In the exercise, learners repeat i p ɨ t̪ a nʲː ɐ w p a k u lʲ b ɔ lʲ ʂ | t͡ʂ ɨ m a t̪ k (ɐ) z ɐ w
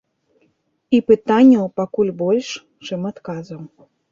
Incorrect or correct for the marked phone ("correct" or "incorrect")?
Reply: incorrect